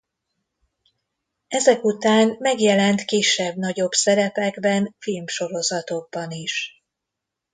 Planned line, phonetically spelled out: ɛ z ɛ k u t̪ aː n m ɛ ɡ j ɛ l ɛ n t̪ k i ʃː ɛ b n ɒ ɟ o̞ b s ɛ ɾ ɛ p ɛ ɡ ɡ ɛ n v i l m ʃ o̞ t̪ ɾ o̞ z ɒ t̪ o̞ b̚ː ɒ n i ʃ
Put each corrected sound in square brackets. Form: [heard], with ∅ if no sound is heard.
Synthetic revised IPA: ɛ z ɛ k u t̪ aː n m ɛ ɡ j ɛ l ɛ n t̪ k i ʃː ɛ b n ɒ ɟ o̞ b s ɛ ɾ ɛ p ɛ ɡ [b] ɛ n [f] i l m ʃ o̞ [∅] ɾ o̞ z ɒ t̪ o̞ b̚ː ɒ n i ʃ

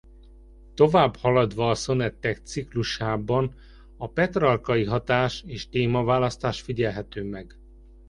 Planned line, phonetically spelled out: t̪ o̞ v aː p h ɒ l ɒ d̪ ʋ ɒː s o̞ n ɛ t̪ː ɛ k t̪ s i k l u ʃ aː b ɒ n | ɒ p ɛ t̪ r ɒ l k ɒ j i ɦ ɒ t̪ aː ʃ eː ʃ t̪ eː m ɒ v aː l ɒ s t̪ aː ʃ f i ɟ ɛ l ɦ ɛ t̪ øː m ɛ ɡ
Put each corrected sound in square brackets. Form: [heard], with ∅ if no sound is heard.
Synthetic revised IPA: t̪ o̞ v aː [b] h ɒ l ɒ d̪ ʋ ɒː s o̞ n ɛ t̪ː ɛ k t̪ s i k l u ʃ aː b ɒ n | ɒ p ɛ t̪ r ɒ l k ɒ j i ɦ ɒ t̪ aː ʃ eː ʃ t̪ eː m ɒ v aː l ɒ s t̪ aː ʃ f i ɟ ɛ l ɦ ɛ t̪ øː m ɛ ɡ

